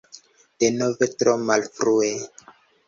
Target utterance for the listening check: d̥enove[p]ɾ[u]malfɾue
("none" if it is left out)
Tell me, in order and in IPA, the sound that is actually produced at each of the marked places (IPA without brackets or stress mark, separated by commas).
t, o